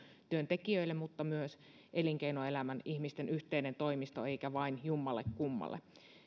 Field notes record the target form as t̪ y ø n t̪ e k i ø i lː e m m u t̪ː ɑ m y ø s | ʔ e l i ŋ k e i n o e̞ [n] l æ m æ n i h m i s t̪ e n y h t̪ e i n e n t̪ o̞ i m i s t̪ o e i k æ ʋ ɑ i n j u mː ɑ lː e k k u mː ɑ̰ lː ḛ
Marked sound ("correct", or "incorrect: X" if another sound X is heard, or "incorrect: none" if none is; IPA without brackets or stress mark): incorrect: none